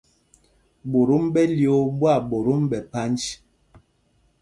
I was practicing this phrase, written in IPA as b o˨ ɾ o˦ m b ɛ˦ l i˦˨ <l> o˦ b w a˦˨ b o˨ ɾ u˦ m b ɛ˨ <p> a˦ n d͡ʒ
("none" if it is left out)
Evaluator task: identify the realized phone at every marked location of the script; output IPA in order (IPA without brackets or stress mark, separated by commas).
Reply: none, p